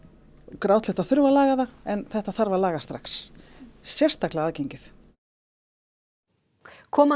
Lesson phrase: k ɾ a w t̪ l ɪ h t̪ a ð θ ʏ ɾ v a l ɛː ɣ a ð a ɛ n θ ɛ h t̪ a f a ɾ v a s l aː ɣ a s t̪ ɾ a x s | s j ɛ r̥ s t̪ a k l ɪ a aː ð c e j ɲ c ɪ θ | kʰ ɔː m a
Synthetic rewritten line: k ɾ a w t̪ l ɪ h t̪ a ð θ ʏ ɾ v a l aː ɣ a ð a ɛ n θ ɛ h t̪ a θ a ɾ v a l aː ɣ a s t̪ ɾ a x s | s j ɛ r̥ s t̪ a k l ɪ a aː ð c e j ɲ c ɪ θ | kʰ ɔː m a